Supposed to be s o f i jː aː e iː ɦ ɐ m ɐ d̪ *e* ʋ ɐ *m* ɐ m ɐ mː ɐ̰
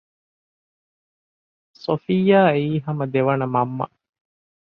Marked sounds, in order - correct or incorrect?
correct, incorrect

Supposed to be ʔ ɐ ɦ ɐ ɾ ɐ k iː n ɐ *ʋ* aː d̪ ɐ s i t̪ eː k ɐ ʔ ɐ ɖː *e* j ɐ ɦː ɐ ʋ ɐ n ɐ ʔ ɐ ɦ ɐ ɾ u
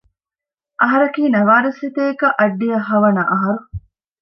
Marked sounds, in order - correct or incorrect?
correct, incorrect

